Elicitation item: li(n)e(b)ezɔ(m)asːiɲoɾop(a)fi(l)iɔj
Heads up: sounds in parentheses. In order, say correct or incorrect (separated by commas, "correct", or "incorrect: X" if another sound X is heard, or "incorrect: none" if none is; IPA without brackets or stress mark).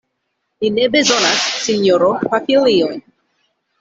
correct, correct, incorrect: n, correct, correct